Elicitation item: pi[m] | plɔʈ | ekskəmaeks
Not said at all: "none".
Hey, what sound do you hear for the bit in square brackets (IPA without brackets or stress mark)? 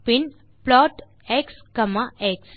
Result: n